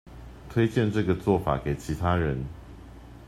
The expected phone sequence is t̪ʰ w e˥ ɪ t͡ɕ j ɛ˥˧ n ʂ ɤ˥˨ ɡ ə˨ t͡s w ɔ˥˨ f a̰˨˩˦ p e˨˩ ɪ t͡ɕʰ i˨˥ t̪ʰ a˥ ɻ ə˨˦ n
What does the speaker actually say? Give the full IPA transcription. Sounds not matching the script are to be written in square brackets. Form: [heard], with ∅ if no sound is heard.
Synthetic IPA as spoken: t̪ʰ w e˥ ɪ t͡ɕ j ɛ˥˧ n [ʈ͡ʂ] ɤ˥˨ ɡ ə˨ t͡s w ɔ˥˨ f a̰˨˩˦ [k] e˨˩ ɪ t͡ɕʰ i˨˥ t̪ʰ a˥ ɻ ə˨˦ n